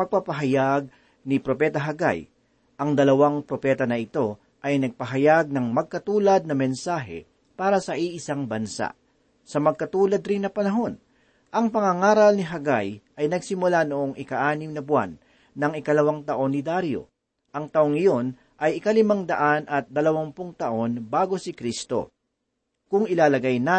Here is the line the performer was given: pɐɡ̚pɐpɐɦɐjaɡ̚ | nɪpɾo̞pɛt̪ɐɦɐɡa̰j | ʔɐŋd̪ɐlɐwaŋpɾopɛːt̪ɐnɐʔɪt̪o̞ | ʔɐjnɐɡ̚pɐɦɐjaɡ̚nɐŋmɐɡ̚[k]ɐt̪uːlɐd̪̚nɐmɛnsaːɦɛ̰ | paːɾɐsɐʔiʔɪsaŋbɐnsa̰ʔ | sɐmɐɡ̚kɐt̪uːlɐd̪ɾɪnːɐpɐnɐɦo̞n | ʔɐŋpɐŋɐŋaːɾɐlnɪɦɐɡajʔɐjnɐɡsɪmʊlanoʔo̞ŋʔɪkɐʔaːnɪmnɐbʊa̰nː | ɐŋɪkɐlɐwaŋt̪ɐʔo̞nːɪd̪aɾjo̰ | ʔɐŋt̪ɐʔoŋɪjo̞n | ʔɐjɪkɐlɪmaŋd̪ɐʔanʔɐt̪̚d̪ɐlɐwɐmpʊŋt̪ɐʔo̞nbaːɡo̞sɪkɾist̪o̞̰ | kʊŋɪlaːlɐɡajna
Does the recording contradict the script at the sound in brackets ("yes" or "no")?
no